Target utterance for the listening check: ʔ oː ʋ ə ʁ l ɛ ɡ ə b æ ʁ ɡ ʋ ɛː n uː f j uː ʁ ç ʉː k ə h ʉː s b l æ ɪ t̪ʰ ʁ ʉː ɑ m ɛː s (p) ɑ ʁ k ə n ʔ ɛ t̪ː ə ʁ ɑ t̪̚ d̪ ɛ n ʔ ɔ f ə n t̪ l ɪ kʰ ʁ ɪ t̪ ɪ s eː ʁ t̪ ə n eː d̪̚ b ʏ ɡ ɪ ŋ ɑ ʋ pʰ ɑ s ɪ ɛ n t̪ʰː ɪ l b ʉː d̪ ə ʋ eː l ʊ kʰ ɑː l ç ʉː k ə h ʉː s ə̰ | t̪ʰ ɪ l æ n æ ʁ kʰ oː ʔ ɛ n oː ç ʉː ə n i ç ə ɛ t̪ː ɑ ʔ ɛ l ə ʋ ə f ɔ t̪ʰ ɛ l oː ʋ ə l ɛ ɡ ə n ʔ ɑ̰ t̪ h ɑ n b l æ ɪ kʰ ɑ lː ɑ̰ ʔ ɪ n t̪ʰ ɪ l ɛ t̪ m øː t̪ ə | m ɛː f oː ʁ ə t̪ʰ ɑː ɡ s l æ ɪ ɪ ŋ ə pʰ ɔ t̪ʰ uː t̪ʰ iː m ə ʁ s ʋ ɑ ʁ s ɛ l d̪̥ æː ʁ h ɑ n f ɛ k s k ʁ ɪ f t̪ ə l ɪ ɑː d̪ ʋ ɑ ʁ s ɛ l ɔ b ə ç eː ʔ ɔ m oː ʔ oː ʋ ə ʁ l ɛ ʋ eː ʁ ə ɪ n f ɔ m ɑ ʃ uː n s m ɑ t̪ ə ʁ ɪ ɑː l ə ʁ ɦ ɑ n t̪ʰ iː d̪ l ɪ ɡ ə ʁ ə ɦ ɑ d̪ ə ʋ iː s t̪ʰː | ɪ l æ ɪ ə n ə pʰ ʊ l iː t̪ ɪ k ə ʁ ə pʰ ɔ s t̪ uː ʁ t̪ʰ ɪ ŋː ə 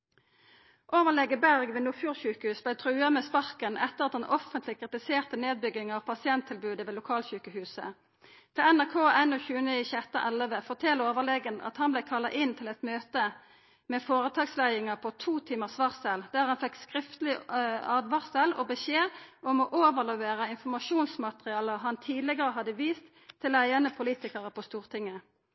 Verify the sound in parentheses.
correct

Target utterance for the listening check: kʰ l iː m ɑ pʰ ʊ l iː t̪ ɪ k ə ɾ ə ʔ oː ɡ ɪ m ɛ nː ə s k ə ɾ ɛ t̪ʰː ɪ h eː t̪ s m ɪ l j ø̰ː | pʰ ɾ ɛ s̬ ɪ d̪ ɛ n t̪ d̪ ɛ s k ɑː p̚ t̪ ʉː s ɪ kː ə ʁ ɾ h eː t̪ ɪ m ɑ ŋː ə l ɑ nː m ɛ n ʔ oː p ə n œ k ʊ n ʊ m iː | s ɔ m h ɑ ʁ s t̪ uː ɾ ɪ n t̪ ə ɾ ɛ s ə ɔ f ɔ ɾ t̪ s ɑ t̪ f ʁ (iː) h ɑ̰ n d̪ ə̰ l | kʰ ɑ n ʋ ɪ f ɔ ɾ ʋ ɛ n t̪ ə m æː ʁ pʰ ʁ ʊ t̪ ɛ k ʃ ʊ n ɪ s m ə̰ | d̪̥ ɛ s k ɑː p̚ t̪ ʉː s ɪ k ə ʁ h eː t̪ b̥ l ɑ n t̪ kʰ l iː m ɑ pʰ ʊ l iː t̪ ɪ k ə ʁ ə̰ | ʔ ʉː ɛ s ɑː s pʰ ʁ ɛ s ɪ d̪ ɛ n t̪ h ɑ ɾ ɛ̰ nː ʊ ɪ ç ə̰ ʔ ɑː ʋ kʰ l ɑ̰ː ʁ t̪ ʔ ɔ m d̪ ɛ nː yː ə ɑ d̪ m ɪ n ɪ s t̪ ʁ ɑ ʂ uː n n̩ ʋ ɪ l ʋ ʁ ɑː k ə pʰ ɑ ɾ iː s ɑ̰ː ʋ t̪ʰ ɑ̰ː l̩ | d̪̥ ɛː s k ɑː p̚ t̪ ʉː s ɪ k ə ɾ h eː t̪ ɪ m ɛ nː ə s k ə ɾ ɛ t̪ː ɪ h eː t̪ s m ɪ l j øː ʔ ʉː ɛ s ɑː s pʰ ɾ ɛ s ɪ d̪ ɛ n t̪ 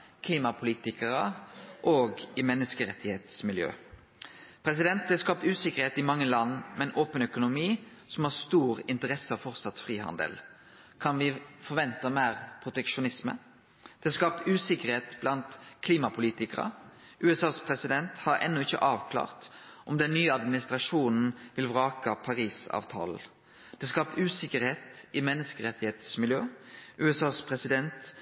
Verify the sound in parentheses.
correct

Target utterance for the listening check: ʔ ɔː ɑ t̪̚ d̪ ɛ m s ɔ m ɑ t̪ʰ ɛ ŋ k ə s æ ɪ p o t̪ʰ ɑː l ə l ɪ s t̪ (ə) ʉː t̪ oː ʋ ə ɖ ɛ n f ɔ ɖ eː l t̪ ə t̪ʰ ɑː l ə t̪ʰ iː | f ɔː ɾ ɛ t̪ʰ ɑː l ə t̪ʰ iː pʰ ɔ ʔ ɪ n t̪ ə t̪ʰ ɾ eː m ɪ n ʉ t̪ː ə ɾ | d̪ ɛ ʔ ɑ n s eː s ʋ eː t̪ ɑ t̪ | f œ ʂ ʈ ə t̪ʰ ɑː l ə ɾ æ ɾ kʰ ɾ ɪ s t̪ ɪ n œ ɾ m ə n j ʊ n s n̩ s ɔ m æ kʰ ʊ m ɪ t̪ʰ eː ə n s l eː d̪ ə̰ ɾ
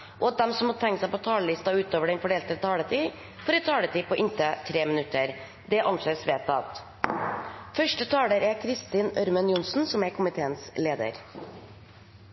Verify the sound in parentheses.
incorrect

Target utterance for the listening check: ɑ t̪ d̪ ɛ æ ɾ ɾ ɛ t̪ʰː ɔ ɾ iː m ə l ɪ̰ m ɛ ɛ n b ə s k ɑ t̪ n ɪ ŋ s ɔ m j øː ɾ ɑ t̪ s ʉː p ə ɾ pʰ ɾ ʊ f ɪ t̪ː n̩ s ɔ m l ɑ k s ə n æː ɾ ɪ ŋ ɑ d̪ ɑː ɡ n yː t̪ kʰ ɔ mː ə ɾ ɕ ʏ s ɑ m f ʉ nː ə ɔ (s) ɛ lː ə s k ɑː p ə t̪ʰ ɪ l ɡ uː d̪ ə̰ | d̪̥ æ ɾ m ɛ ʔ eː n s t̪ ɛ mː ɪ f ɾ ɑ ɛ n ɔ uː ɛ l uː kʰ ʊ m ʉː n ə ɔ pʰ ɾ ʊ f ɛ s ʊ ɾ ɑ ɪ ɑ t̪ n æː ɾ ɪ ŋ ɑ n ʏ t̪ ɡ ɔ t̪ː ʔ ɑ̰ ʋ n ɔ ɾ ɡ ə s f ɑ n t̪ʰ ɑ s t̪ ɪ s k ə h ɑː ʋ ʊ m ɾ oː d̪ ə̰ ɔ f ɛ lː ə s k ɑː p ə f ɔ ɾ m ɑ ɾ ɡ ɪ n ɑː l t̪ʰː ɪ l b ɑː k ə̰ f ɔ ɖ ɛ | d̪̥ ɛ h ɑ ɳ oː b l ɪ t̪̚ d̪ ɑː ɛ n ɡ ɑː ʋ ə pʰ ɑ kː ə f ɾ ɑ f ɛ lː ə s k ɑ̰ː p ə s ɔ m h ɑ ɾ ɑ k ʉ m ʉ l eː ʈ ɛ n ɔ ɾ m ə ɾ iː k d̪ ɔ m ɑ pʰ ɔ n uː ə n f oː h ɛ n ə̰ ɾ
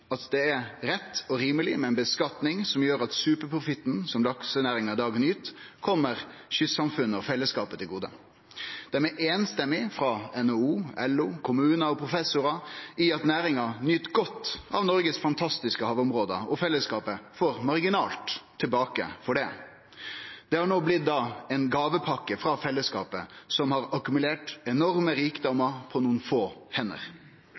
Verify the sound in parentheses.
incorrect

